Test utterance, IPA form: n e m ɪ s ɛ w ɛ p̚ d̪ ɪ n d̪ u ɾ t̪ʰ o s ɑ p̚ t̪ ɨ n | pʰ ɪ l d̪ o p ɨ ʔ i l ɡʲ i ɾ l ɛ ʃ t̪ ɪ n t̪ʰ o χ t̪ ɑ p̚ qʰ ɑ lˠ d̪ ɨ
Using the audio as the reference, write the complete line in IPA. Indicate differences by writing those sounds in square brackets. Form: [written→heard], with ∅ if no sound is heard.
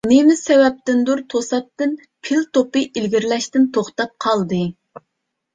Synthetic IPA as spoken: n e m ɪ s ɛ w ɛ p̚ [d̪→t̪] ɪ n d̪ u ɾ t̪ʰ o s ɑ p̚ t̪ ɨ n | pʰ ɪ l [d̪→t̪] o p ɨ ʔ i l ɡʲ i ɾ l ɛ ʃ t̪ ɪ n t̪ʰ o χ t̪ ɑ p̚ qʰ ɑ lˠ d̪ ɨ